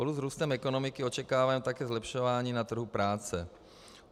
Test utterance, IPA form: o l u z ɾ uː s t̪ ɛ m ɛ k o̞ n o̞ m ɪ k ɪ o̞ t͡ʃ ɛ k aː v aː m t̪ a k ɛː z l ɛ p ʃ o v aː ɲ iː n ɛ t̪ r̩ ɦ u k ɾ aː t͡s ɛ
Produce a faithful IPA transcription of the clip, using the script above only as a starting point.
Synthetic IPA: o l u z ɾ uː s t̪ ɛ m ɛ k o̞ n o̞ m ɪ k ɪ o̞ t͡ʃ ɛ k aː v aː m t̪ a k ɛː z l ɛ p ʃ o v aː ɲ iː n a t̪ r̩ ɦ u p ɾ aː t͡s ɛ